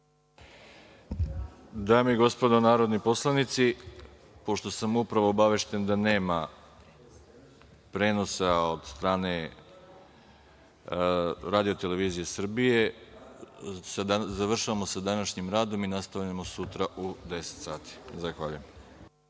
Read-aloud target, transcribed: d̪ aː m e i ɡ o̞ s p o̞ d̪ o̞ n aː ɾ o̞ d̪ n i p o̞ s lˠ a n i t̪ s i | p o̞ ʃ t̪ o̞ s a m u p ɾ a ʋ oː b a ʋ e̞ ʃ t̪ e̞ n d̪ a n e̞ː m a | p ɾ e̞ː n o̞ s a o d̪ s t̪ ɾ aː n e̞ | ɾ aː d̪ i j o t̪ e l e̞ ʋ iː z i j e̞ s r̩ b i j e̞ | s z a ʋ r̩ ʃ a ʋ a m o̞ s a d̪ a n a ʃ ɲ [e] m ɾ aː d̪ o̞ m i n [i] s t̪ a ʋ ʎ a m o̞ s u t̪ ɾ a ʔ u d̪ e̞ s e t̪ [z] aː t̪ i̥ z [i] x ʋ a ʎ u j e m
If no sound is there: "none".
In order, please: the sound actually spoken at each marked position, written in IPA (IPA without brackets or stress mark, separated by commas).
i, a, s, a